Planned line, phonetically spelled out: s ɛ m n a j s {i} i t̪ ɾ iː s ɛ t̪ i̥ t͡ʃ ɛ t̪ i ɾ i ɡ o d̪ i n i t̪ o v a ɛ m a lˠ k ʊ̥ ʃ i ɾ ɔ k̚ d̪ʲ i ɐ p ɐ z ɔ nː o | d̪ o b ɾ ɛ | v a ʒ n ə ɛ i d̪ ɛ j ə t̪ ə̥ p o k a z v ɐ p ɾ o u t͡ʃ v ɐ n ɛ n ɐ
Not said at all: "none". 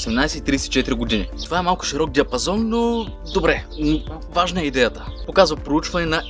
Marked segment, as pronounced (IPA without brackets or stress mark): ɛ